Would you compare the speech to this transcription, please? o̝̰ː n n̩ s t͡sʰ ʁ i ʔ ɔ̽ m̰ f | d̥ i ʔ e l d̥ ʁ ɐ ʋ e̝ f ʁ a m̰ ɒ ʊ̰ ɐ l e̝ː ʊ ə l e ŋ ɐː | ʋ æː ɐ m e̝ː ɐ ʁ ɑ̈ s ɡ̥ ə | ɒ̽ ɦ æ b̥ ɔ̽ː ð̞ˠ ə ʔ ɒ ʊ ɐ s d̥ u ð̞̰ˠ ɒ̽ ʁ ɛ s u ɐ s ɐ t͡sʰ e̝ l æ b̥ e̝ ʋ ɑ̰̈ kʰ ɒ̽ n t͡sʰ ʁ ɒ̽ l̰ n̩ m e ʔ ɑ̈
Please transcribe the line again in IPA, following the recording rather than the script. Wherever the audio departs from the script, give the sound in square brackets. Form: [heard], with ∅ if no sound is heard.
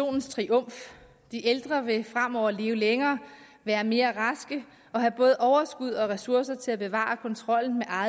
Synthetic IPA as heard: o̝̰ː n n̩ s t͡sʰ ʁ i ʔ ɔ̽ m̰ f | d̥ i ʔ e l d̥ ʁ ɐ ʋ e̝ f ʁ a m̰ ɒ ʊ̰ ɐ l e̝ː ʊ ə l e ŋ ɐː | ʋ æː ɐ m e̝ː ɐ ʁ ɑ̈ s ɡ̥ ə | ɒ̽ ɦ æ b̥ ɔ̽ː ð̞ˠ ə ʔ ɒ ʊ ɐ s [ɡ̥] u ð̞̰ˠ ɒ̽ ʁ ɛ s u ɐ s ɐ t͡sʰ e̝ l æ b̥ e̝ ʋ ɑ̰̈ kʰ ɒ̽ n t͡sʰ ʁ ɒ̽ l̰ n̩ m e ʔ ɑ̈